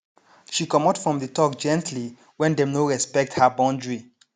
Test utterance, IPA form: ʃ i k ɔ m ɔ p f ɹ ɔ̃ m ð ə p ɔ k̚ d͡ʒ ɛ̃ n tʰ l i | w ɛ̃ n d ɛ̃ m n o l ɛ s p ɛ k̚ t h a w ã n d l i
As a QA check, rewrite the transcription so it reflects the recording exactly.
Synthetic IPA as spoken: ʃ i k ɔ m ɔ t f ɹ ɔ̃ m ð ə t ɔ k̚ d͡ʒ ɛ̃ n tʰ l i | w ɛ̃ n d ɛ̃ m n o ɹ ɛ s p ɛ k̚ t h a b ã n d ɹ i

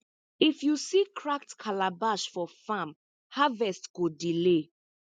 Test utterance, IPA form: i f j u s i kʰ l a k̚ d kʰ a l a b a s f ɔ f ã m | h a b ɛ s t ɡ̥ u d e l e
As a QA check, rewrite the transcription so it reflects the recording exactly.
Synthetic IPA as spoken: i f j u s i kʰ ɹ a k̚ t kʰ a l a b a ʃ f ɔ f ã m | h a v ɛ s t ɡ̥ o d i l e

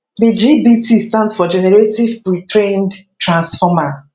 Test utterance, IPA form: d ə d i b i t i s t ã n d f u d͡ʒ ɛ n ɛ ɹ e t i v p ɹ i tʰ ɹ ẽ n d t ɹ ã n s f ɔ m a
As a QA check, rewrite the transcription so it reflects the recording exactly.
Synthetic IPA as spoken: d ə d͡ʒ i b i t i s t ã n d f ɔ d͡ʒ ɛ n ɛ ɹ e t i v p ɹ i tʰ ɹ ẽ n d t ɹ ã n s f ɔ m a

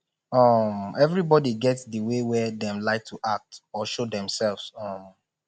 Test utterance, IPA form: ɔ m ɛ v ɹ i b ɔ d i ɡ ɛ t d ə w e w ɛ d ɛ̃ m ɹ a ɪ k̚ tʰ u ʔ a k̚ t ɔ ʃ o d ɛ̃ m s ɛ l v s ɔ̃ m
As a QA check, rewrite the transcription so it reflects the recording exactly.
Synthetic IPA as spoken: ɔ m ɛ v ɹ i b ɔ d i ɡ ɛ t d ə w e w ɛ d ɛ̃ m l a ɪ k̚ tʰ u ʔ a k̚ t ɔ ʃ o d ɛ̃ m s ɛ l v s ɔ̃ m

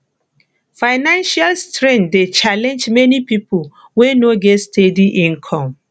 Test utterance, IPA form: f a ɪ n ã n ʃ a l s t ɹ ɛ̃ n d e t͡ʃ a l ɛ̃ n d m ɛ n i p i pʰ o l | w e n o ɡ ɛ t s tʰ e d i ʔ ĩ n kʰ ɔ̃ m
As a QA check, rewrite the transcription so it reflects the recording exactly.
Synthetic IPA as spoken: f a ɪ n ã n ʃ a l s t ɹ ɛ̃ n d e t͡ʃ a l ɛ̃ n d͡ʒ m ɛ n i p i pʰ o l | w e n o ɡ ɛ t s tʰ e d i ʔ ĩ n kʰ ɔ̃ m

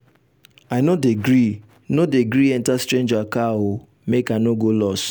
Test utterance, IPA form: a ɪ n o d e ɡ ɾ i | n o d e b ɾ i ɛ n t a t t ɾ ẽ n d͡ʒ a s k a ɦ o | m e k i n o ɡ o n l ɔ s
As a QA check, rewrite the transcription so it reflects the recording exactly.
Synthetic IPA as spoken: a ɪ n o d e ɡ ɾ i | n o d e ɡ ɾ i ɛ n t a s t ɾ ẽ n d͡ʒ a k a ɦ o | m e k a n o ɡ o l ɔ s

